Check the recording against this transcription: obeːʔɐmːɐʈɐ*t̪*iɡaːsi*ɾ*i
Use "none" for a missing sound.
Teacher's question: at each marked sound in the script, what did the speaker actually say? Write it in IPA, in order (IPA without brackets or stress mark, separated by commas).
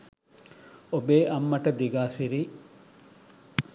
d̪, ɾ